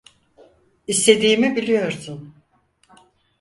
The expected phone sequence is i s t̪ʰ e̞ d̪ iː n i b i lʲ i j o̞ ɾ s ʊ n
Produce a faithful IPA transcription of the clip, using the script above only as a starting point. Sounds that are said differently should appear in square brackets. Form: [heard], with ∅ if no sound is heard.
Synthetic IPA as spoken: i s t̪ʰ e̞ d̪ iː [m] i b i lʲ i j o̞ ɾ s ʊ n